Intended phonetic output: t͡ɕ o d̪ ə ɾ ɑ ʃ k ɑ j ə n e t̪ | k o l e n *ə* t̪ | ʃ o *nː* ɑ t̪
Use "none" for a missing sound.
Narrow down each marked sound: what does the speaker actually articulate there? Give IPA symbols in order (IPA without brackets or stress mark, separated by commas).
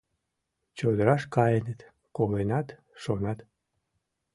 ɑ, n